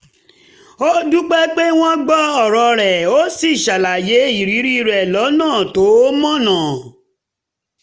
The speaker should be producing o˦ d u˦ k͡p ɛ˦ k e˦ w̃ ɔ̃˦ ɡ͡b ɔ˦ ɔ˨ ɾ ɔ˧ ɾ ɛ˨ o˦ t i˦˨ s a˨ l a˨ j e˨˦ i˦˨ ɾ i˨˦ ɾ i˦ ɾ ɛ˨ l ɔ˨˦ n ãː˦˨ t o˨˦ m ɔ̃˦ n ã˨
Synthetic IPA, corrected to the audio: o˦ d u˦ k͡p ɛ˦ k͡p e˦ w̃ ɔ̃˦ ɡ͡b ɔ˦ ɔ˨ ɾ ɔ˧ ɾ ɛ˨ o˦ s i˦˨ ʃ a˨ l a˨ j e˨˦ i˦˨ ɾ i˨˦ ɾ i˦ ɾ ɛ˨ l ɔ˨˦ n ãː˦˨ t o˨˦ m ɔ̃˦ n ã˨

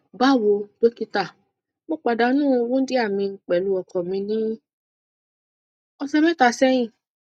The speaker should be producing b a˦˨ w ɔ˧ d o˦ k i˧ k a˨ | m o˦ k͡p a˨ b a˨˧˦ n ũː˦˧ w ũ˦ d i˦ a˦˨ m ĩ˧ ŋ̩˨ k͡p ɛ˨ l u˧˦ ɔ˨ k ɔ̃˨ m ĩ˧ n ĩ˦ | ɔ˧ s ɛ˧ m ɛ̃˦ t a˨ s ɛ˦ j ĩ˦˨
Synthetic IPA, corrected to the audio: b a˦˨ w o˧ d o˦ k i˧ t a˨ | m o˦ k͡p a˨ d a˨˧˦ n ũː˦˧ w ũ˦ d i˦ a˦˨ m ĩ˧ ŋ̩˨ k͡p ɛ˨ l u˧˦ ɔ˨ k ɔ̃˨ m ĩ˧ n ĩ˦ | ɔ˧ s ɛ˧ m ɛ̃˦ t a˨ s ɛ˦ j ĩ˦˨

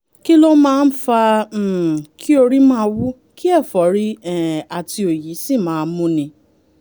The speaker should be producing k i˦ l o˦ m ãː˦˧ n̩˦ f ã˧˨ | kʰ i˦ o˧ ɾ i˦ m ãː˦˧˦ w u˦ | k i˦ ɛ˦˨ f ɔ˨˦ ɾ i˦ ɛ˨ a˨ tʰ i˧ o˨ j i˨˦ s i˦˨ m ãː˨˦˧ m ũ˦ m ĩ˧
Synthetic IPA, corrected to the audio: k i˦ l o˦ m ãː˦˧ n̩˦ f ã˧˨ | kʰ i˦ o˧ ɾ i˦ m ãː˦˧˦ w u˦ | k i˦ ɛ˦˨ f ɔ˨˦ ɾ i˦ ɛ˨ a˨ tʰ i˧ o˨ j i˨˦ s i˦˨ m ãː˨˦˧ m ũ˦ n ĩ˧

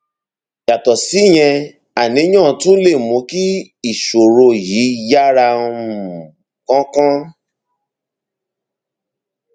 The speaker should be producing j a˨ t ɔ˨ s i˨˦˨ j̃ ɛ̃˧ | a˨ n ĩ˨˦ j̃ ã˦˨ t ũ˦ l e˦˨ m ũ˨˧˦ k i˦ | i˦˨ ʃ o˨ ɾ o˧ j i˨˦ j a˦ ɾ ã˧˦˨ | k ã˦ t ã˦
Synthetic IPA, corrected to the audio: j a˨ t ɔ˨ s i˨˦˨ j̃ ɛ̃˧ | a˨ n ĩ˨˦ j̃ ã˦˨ t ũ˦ l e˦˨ m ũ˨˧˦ k i˦ | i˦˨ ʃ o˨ ɾ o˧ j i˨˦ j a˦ ɾ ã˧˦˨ | k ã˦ k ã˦

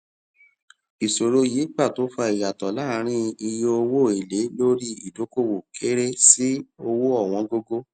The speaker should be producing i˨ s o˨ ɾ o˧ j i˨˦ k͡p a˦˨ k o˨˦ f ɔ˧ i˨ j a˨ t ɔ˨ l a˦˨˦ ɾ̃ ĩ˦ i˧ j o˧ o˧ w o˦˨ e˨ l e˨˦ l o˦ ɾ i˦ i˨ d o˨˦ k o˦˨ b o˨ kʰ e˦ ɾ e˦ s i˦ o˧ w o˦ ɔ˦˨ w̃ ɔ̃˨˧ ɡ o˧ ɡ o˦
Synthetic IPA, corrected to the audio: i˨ s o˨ ɾ o˧ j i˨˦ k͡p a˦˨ t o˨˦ f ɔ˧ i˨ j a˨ t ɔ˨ l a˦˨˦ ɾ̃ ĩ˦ i˧ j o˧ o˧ w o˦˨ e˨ l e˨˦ l o˦ ɾ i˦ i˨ d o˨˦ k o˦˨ w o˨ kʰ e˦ ɾ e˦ s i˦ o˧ w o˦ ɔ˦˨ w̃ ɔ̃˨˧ ɡ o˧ ɡ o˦

